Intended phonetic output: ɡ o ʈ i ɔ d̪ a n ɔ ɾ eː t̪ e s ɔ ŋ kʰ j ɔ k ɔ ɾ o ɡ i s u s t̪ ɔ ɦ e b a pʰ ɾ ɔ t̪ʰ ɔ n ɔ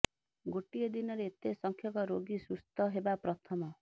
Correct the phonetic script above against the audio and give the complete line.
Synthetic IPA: ɡ o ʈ i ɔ d̪ i n ɔ ɾ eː t̪ e s ɔ ŋ kʰ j ɔ k ɔ ɾ o ɡ i s u s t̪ ɔ ɦ e b a p ɾ ɔ t̪ʰ ɔ m ɔ

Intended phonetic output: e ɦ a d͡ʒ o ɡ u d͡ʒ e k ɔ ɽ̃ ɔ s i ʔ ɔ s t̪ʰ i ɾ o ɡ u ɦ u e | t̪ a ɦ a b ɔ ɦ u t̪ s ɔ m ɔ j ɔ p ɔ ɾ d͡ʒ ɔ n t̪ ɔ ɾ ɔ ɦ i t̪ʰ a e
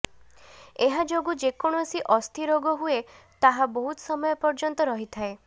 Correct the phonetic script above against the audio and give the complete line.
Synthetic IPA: e ɦ a d͡ʒ o ɡ u d͡ʒ e k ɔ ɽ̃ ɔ s i ʔ ɔ s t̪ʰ i ɾ o ɡ ɔ ɦ u e | t̪ a ɦ a b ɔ ɦ u t̪ s ɔ m ɔ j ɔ p ɔ ɾ d͡ʒ ɔ n t̪ ɔ ɾ ɔ ɦ i t̪ʰ a e

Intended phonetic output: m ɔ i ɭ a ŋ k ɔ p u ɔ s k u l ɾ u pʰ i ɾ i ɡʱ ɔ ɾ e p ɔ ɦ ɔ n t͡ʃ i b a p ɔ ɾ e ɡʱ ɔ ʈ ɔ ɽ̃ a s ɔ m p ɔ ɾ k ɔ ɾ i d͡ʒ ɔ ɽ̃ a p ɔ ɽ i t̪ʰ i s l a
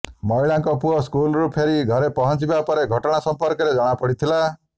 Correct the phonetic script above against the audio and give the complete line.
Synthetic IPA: m ɔ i ɭ a ŋ k ɔ p u ɔ s k u l ɾ u pʰ e ɾ i ɡʱ ɔ ɾ e p ɔ ɦ ɔ n t͡ʃ i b a p ɔ ɾ e ɡʱ ɔ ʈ ɔ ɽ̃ a s ɔ m p ɔ ɾ k ɔ ɾ e d͡ʒ ɔ ɽ̃ a p ɔ ɽ i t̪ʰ i l a

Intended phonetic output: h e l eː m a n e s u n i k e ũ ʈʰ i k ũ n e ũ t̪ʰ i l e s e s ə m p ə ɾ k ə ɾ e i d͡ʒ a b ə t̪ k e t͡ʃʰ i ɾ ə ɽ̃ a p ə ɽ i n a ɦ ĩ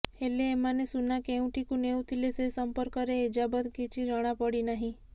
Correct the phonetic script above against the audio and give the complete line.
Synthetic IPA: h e l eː m a n e s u n a k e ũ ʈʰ i k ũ n e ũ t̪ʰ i l e s e s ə m p ə ɾ k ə ɾ e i d͡ʒ a b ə t̪ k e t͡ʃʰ i ɾ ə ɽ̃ a p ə ɽ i n a ɦ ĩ

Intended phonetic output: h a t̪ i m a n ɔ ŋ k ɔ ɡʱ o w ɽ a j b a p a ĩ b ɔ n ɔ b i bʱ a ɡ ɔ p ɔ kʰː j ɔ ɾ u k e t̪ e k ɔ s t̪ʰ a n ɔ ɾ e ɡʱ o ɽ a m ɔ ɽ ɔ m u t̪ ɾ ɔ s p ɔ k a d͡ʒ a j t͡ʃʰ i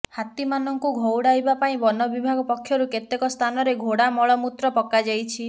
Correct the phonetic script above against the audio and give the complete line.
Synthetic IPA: h a t̪ i m a n ɔ ŋ k u ɡʱ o w ɽ a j b a p a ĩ b ɔ n ɔ b i bʱ a ɡ ɔ p ɔ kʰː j ɔ ɾ u k e t̪ e k ɔ s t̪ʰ a n ɔ ɾ e ɡʱ o ɽ a m ɔ ɭ ɔ m u t̪ ɾ ɔ p ɔ k a d͡ʒ a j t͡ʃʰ i

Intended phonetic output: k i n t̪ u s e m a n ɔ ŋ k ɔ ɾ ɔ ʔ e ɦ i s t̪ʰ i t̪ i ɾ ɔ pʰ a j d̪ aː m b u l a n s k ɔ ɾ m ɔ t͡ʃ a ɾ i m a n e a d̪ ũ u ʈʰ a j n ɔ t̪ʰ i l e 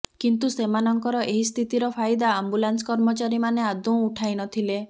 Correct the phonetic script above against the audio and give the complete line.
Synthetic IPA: k i n t̪ u s e m a n ɔ ŋ k ɔ ɾ ɔ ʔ e ɦ i s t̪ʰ i t̪ i ɾ ɔ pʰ a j d̪ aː m b u l a n s k ɔ ɾ m ɔ t͡ʃ a ɾ i m a n e a d̪ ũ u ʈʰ a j n ɔ t̪ʰ i l e

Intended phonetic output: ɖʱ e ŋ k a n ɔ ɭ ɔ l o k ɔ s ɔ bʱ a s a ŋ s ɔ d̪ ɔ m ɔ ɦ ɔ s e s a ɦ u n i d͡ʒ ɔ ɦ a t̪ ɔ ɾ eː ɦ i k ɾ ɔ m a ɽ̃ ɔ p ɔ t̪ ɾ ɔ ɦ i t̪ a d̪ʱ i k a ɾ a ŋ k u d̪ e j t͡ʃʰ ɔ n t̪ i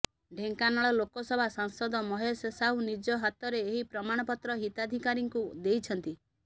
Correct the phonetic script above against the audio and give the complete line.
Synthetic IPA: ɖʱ e ŋ k a n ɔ ɭ ɔ l o k ɔ s ɔ bʱ a s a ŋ s ɔ d̪ ɔ m ɔ ɦ ɔ s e s a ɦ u n i d͡ʒ ɔ ɦ a t̪ ɔ ɾ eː ɦ i p ɾ ɔ m a ɽ̃ ɔ p ɔ t̪ ɾ ɔ ɦ i t̪ a d̪ʱ i k a ɾ i ŋ k u d̪ e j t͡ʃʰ ɔ n t̪ i

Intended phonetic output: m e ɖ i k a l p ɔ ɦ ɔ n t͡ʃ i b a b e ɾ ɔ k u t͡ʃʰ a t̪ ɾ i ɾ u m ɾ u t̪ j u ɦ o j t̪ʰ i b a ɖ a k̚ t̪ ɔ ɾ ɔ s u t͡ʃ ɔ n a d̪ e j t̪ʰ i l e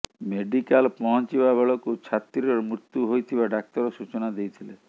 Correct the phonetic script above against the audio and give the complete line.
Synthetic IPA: m e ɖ i k a l p ɔ ɦ ɔ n t͡ʃ i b a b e ɭ ɔ k u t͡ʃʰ a t̪ ɾ i ɾ ɔ m ɾ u t̪ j u ɦ o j t̪ʰ i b a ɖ a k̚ t̪ ɔ ɾ ɔ s u t͡ʃ ɔ n a d̪ e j t̪ʰ i l e

